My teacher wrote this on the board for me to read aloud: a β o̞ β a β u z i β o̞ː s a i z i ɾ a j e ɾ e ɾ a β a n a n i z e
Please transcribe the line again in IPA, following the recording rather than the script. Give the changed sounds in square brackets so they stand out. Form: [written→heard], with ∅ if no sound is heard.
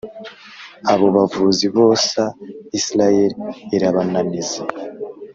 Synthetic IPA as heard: a β o̞ β a [β→v] u z i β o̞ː s a i [z→s] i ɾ a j e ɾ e ɾ a β a n a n i z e